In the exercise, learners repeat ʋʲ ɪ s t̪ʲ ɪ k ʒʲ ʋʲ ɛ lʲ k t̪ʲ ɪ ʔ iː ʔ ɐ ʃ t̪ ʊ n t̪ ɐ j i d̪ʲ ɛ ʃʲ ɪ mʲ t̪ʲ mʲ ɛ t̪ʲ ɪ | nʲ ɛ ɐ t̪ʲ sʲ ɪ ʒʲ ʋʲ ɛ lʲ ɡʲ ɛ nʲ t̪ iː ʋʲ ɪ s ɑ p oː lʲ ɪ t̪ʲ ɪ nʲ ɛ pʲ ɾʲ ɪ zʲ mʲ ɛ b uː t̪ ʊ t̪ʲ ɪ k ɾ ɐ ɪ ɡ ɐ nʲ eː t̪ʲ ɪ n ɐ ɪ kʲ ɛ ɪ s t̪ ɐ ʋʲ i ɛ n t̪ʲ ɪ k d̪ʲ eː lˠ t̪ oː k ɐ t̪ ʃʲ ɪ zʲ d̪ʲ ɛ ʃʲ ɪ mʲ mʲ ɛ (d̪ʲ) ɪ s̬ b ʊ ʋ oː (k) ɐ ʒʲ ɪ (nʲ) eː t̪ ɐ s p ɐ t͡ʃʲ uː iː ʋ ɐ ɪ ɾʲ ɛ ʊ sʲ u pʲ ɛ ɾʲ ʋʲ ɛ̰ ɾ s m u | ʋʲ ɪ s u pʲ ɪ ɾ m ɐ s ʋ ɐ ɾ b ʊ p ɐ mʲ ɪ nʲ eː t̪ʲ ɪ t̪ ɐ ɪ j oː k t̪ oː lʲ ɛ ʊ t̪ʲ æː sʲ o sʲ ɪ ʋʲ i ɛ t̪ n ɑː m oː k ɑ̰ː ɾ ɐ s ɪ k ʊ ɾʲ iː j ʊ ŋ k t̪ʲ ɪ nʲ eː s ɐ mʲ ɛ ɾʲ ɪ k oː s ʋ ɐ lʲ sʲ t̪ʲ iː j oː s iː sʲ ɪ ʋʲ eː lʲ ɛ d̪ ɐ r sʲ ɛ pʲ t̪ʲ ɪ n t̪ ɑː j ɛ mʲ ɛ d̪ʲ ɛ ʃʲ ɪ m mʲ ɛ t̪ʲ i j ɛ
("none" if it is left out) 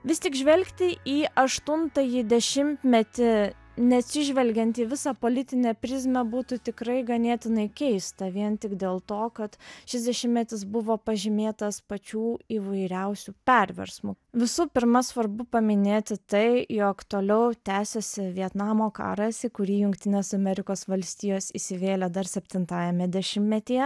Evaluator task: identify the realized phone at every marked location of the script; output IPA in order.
t̪ʲ, p, mʲ

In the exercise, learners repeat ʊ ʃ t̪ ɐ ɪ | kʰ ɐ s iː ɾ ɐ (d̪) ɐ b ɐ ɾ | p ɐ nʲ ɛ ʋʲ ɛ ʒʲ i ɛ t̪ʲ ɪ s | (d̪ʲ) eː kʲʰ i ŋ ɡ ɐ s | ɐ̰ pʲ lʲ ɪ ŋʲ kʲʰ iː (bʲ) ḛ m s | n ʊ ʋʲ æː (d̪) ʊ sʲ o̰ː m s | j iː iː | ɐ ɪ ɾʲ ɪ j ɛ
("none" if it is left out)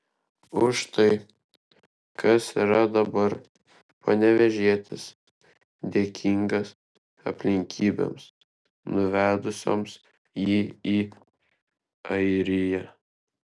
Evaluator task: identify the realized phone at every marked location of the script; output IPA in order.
d̪, d̪ʲ, bʲ, d̪

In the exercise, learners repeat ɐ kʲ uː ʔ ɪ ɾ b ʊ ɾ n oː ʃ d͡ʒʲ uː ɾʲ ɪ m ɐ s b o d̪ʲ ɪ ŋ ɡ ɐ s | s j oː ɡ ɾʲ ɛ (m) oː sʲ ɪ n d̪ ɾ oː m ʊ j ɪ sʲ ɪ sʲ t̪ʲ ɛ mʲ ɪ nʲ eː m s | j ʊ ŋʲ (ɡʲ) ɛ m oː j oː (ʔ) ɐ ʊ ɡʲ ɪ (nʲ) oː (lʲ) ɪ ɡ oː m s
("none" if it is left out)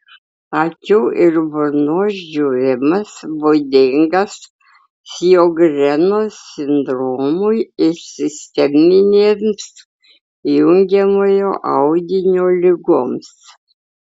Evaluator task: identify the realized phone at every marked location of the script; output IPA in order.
n, ɡʲ, ʔ, nʲ, lʲ

